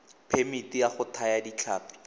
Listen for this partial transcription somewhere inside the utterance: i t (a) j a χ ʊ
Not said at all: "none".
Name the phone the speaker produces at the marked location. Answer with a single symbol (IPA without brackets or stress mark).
i